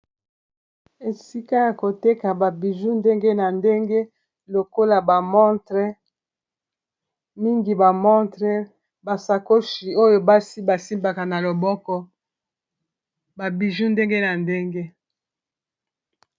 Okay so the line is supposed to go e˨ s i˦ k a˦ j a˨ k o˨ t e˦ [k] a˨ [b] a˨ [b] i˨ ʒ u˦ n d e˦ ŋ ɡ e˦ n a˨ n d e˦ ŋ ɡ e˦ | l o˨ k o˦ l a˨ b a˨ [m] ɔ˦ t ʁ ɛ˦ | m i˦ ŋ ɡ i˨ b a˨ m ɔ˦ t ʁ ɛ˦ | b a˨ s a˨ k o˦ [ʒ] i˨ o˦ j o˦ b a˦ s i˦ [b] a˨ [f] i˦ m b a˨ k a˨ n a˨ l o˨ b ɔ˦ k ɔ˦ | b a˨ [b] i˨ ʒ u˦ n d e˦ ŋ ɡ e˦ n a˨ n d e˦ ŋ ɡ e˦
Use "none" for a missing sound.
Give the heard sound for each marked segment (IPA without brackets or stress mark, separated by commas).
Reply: k, b, b, m, ʃ, b, s, b